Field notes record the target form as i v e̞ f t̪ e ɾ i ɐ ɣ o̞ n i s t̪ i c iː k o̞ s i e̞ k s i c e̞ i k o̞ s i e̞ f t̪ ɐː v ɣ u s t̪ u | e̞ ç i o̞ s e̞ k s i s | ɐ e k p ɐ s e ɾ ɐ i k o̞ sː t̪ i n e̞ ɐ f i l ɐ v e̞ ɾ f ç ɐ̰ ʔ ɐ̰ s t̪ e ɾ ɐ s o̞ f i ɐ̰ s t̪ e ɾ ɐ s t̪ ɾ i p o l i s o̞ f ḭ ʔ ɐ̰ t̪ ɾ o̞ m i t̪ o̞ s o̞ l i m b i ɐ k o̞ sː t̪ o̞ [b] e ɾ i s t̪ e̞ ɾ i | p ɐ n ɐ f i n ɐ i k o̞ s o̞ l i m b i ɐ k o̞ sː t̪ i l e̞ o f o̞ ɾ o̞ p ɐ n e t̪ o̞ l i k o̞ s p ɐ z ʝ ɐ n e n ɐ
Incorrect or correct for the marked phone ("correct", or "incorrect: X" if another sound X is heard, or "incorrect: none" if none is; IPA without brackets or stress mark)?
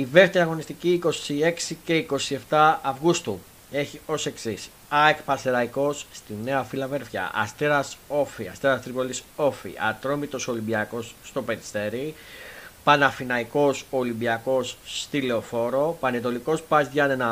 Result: incorrect: p